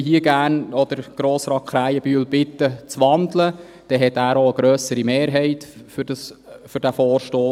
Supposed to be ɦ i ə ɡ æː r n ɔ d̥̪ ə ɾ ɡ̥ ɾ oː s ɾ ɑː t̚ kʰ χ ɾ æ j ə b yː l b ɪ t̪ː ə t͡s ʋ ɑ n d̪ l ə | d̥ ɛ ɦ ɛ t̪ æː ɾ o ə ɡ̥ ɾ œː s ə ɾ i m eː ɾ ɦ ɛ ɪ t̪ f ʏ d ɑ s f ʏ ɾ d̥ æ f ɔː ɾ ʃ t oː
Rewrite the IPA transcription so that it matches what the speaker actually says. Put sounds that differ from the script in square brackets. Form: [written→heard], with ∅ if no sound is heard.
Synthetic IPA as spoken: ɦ i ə ɡ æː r n ɔ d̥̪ ə ɾ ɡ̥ ɾ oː s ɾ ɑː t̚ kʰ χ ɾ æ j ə b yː l b ɪ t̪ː ə t͡s ʋ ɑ n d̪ l ə | d̥ ɛ ɦ ɛ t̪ æː ɾ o ə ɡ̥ ɾ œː s ə ɾ i m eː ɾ ɦ ɛ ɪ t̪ f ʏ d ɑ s f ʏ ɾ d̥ æ f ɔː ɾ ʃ t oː